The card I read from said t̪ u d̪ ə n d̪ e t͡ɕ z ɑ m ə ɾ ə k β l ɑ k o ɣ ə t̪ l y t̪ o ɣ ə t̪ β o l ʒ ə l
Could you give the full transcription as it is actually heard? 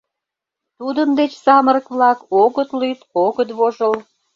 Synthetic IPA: t̪ u d̪ ə n d̪ e t͡ɕ s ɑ m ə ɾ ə k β l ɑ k o ɣ ə t̪ l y t̪ o ɣ ə t̪ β o ʒ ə l